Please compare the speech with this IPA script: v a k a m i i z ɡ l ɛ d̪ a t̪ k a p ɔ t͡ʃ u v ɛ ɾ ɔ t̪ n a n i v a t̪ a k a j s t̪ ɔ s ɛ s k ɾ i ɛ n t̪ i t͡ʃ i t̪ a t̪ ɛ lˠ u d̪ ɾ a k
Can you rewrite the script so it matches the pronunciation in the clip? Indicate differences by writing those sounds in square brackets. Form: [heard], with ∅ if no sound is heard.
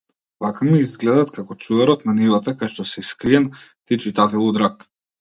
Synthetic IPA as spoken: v a k a m i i z ɡ l ɛ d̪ a t̪ k a [k] ɔ t͡ʃ u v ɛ ɾ ɔ t̪ n a n i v a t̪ a k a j [ʃ] t̪ ɔ s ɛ s k ɾ i ɛ n t̪ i t͡ʃ i t̪ a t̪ ɛ lˠ u d̪ ɾ a k